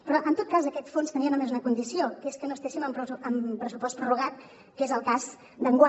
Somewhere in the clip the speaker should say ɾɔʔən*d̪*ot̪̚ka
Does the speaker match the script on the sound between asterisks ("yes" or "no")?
no